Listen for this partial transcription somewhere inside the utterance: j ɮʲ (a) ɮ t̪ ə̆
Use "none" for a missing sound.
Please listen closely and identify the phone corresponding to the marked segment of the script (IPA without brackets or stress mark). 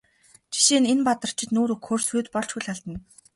a